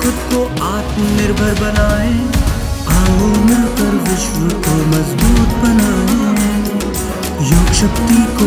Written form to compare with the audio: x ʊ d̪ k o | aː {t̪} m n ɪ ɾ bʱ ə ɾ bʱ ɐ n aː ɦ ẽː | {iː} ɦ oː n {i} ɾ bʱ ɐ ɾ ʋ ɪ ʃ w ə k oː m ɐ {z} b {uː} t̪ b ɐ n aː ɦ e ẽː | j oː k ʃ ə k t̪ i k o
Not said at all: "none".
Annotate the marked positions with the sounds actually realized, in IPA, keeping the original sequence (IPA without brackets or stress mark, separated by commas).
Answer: t̪, aː, ɪ, z, uː